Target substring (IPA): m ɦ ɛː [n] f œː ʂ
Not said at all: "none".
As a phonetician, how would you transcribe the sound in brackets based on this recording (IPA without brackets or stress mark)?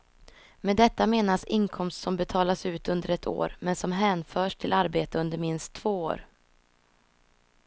n